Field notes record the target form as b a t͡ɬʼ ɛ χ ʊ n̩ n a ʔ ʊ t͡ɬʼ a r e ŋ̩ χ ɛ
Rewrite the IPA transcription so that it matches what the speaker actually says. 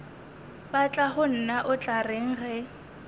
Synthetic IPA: b a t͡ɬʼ a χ ʊ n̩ n a ʔ ʊ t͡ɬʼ a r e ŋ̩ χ ɛ